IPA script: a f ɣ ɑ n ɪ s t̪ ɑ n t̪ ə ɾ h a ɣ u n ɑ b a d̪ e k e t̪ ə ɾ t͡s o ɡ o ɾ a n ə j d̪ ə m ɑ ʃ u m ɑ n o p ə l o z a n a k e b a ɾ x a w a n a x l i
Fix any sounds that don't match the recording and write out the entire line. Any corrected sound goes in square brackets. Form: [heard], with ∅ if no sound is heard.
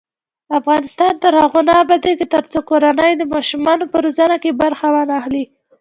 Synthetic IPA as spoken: a f ɣ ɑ n ɪ s t̪ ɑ n t̪ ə ɾ h a ɣ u n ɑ b a d̪ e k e t̪ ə ɾ t͡s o [k] o ɾ a n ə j d̪ ə m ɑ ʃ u m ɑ n o p ə [ɾ] o z a n a k e b a ɾ x a w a n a x l i